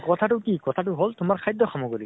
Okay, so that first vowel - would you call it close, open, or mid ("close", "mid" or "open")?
mid